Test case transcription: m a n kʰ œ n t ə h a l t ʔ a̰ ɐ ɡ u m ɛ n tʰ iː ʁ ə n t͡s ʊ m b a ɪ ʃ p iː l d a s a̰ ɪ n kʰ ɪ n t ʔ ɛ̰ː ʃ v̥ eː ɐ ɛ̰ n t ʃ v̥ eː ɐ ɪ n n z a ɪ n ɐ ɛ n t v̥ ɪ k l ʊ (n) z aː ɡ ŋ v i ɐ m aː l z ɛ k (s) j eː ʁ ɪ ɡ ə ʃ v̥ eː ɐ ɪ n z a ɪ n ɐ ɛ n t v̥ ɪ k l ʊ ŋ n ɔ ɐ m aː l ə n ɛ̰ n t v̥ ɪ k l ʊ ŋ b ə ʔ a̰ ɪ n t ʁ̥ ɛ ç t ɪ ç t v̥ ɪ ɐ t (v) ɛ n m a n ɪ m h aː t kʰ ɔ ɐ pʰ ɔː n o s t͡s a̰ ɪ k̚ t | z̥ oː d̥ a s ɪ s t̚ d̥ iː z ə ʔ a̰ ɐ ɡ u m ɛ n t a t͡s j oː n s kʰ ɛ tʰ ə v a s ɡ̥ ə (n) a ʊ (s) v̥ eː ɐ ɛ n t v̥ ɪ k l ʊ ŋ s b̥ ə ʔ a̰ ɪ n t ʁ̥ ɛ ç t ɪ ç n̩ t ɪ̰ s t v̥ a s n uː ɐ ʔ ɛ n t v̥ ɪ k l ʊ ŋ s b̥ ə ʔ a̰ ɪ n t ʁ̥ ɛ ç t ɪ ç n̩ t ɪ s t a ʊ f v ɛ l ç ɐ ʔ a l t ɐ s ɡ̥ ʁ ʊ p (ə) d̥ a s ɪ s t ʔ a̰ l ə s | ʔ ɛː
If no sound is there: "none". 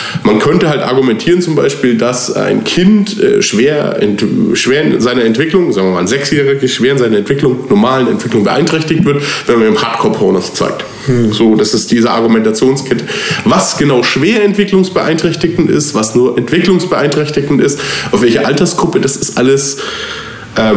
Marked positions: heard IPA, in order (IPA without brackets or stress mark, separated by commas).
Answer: ŋ, s, v, n, ʃ, ə